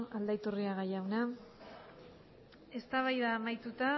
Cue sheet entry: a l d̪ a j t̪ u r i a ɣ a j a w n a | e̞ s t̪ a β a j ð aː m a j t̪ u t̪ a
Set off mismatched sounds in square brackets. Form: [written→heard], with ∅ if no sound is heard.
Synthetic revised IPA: a l d̪ a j t̪ u r i a ɣ a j a w n a | e̞ s t̪ a β a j ð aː m a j t̪ u t̪ a